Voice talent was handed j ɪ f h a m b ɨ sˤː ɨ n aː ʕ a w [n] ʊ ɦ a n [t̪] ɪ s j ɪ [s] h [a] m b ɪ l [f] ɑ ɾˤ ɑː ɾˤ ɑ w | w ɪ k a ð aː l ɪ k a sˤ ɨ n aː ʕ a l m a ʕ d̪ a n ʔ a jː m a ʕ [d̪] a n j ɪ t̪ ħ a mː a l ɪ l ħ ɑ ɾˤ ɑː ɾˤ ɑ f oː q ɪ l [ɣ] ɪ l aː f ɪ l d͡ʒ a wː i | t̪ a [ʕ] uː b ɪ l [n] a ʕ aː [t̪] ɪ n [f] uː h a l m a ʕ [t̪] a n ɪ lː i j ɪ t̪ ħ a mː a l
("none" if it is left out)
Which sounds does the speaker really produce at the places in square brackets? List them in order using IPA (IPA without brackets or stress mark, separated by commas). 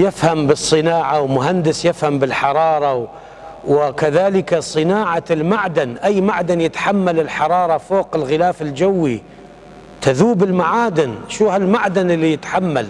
m, d̪, f, a, ħ, d̪, ɣ, ð, m, d̪, ʃ, d̪